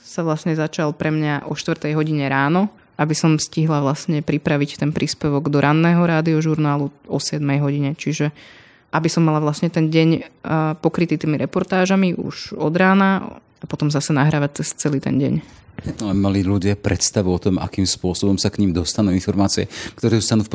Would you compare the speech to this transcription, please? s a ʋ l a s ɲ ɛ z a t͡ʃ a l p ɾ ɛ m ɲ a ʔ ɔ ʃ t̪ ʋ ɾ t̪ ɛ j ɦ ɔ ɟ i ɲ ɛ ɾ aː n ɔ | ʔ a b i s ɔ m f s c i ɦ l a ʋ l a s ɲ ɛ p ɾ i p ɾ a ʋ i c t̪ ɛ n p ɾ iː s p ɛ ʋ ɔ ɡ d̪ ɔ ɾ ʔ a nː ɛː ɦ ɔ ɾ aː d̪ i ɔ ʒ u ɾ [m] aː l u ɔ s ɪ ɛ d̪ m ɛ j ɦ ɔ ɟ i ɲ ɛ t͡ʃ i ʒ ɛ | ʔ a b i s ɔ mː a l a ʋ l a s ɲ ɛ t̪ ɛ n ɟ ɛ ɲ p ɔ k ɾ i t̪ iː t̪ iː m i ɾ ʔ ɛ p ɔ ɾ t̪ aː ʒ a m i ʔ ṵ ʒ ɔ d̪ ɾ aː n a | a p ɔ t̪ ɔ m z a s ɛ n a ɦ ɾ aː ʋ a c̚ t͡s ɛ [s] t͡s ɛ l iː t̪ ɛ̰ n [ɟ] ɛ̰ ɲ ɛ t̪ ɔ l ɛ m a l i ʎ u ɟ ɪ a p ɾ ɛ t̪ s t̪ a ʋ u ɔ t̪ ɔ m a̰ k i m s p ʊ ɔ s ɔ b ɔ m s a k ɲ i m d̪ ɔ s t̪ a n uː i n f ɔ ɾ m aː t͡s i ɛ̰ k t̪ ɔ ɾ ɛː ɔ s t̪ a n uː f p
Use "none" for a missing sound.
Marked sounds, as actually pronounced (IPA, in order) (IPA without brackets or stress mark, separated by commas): n, s, ɟ